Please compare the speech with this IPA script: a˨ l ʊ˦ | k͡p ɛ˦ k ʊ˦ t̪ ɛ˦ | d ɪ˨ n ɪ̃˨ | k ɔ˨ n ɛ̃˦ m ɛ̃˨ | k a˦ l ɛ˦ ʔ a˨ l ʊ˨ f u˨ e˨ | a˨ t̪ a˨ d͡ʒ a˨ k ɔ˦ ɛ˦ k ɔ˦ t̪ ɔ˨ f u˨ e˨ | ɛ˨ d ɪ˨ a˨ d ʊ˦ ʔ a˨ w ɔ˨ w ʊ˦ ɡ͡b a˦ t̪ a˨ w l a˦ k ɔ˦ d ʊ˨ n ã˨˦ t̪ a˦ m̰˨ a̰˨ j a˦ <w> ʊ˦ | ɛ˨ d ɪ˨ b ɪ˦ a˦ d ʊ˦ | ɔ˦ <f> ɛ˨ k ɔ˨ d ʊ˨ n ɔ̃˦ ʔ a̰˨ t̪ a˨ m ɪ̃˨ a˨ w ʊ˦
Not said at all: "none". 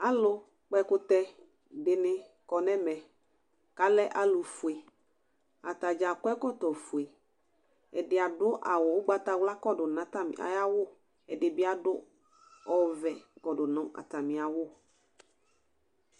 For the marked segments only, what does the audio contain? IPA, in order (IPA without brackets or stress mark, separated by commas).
w, v